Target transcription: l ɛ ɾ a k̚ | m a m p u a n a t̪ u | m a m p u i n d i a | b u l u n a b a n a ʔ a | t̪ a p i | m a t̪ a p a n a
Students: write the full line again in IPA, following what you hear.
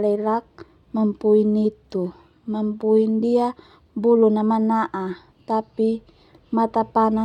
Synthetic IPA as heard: l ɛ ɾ a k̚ | m a m p u i n i t̪ u | m a m p u i n d i a | b u l u n a m a n a ʔ a | t̪ a p i | m a t̪ a p a n a